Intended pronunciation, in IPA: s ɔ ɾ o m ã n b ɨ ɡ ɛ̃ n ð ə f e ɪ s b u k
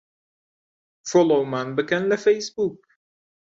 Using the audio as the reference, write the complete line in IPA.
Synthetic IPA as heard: f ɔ l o m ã n b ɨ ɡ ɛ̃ n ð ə f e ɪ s b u k